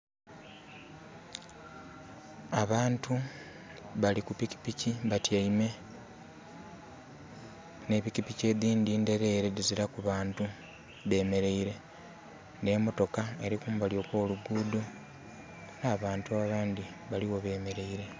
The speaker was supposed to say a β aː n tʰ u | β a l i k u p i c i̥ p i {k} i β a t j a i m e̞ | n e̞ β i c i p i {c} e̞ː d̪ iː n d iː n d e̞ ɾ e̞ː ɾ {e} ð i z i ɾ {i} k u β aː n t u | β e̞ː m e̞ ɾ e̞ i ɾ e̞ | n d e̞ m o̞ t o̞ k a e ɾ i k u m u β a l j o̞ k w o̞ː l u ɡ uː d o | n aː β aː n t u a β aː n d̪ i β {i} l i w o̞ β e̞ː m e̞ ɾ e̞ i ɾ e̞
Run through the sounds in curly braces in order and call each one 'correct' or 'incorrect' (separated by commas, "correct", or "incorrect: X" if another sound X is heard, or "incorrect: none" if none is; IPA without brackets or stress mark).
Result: incorrect: c, correct, correct, incorrect: a, incorrect: a